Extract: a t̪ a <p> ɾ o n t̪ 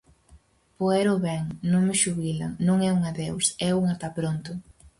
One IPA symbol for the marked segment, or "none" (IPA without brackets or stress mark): p